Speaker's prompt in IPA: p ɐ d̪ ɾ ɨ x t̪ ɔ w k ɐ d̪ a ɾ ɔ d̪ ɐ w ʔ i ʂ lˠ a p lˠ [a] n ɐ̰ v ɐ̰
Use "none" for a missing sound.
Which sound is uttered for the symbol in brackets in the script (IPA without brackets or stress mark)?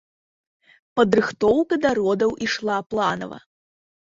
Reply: a